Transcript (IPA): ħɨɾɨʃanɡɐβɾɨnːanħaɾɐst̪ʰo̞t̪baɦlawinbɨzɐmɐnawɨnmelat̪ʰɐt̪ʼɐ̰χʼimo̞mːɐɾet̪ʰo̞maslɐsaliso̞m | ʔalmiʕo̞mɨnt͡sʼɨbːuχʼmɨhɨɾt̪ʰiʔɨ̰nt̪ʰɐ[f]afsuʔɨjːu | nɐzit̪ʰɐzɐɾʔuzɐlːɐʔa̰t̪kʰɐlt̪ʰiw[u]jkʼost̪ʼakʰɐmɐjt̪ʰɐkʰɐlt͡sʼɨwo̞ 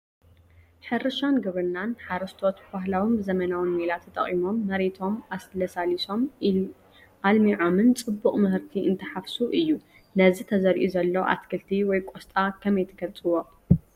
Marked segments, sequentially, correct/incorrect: incorrect: ħ, incorrect: ɔ

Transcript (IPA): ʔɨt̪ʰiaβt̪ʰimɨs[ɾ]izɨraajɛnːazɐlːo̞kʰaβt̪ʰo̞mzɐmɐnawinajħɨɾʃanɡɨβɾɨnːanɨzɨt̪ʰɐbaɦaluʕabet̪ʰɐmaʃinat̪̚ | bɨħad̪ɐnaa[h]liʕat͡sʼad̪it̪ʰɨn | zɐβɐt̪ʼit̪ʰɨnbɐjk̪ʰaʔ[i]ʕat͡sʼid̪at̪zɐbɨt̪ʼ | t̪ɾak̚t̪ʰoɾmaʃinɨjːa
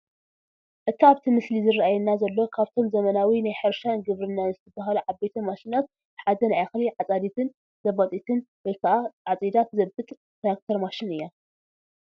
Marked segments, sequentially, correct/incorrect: incorrect: l, incorrect: x, incorrect: a

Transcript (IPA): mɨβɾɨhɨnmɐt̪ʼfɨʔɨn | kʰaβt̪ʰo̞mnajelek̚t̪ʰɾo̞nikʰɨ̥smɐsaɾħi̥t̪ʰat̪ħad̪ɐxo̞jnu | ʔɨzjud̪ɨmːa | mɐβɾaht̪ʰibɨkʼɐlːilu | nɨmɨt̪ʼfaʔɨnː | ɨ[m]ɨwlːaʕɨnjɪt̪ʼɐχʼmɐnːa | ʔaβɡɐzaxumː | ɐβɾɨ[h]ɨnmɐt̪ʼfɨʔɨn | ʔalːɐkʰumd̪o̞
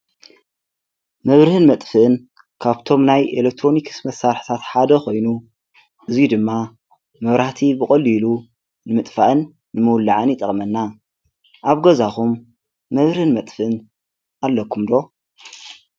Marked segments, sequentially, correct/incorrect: correct, correct

